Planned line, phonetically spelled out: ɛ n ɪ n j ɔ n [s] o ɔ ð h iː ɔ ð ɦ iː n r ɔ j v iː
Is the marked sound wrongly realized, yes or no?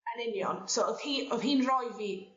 no